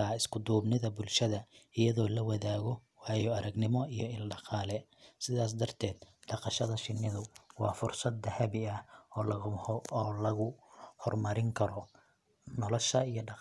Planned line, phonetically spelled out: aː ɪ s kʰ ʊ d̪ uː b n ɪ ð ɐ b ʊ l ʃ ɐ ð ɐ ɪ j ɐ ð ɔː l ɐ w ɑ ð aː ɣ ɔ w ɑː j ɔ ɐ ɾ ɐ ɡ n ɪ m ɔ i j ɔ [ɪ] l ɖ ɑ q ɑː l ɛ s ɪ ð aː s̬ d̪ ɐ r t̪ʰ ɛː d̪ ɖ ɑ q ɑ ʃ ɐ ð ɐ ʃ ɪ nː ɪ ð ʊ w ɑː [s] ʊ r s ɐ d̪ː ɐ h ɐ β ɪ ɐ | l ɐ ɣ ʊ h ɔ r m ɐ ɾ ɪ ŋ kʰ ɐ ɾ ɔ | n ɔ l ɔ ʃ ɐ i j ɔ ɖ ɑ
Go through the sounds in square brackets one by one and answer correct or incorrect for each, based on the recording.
correct, incorrect: f

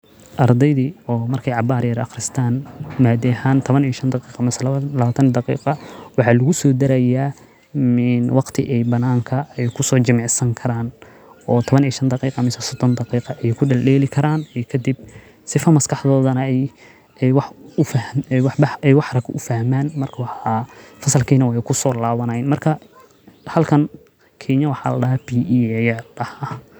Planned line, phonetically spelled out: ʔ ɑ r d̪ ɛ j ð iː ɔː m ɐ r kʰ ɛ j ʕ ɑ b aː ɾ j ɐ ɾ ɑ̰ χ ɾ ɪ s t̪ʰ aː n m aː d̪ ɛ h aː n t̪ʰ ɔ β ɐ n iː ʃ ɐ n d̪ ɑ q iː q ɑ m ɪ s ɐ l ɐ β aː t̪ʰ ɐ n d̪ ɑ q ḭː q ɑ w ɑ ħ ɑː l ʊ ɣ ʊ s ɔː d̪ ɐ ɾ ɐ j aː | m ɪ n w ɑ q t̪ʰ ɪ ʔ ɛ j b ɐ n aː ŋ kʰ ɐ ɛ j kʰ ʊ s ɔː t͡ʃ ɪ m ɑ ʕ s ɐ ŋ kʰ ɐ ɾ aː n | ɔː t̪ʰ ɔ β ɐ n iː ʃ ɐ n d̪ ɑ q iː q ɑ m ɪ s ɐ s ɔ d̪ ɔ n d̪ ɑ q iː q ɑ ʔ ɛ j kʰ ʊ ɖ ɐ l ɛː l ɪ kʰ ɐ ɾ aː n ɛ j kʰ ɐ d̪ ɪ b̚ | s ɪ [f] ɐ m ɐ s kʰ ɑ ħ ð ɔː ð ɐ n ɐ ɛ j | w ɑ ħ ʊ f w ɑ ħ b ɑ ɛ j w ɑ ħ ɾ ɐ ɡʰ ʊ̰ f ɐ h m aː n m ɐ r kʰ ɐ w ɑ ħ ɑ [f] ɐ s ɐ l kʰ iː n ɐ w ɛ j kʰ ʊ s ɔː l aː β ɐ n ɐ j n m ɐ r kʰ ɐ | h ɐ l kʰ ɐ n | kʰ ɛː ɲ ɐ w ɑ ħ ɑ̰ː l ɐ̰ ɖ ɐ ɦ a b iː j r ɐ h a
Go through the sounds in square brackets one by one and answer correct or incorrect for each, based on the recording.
correct, correct

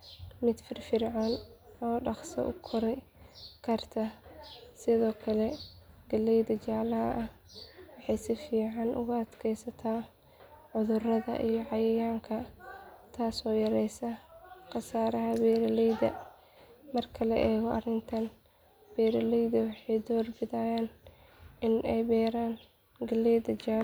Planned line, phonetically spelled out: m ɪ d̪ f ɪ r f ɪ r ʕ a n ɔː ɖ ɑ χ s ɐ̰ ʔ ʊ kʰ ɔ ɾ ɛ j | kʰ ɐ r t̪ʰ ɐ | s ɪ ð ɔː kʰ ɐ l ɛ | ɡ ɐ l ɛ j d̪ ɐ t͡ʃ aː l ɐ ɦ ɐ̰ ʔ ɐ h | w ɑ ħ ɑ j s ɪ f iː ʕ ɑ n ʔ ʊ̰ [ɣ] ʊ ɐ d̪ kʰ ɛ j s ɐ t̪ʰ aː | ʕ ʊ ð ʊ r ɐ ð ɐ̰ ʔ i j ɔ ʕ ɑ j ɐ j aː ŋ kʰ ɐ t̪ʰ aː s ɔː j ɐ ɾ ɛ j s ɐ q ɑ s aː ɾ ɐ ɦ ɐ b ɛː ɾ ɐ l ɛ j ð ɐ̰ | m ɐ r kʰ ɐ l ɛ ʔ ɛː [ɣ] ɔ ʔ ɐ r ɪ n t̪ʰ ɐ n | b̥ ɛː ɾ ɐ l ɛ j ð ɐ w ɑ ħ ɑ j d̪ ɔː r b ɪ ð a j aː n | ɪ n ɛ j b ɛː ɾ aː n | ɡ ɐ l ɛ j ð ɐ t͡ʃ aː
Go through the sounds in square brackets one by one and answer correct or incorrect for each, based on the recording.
correct, correct

